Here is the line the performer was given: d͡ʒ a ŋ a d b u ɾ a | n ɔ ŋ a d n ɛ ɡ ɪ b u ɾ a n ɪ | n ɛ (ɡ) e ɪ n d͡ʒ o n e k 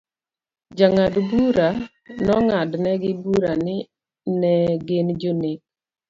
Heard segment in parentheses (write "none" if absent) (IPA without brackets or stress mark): ɡ